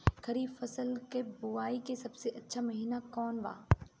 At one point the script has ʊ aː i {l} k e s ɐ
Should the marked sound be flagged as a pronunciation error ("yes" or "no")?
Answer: yes